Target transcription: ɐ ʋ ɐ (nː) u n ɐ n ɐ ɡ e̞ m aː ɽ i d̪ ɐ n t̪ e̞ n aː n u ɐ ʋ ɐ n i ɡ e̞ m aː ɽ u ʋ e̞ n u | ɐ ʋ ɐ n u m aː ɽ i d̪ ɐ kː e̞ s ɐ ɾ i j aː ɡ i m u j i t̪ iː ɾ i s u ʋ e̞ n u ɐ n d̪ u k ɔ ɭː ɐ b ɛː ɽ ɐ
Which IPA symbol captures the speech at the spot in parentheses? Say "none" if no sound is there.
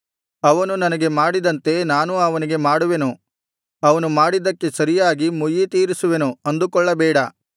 n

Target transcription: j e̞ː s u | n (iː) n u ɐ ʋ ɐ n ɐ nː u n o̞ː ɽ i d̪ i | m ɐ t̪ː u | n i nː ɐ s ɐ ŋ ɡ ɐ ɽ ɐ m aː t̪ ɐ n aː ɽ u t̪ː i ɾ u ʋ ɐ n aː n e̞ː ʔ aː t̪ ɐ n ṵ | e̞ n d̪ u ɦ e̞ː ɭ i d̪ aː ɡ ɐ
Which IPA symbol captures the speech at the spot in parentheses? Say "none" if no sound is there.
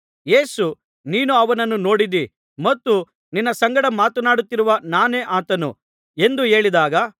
iː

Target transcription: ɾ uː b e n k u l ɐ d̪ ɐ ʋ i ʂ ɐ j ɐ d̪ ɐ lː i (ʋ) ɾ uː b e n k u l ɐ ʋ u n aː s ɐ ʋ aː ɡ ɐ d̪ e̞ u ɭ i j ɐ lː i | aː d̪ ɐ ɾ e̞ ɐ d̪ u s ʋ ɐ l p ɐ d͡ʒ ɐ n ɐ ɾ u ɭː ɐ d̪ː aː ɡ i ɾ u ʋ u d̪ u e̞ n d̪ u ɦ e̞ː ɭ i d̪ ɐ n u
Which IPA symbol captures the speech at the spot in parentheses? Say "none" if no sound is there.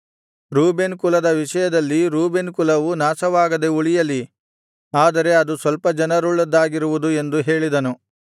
none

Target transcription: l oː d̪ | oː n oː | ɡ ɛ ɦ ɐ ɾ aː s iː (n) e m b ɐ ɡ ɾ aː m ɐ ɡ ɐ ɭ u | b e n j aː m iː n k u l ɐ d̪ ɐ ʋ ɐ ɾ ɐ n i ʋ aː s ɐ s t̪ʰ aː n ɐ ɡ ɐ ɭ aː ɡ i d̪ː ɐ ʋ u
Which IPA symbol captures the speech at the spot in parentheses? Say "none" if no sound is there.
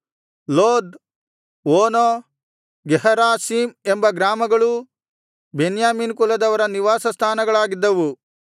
m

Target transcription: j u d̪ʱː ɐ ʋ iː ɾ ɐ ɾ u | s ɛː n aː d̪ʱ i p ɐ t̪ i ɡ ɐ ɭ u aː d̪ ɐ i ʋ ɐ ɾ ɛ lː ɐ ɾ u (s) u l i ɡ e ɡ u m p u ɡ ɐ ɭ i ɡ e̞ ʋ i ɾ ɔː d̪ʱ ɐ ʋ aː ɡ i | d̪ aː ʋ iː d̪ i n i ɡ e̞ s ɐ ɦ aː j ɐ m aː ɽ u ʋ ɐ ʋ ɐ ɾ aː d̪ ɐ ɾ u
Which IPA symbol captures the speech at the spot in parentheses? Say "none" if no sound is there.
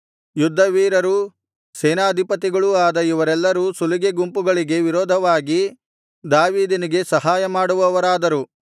s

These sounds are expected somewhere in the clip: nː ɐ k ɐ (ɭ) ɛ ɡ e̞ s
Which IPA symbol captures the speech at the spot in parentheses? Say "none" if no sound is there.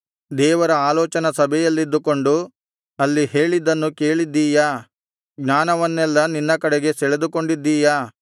ɽ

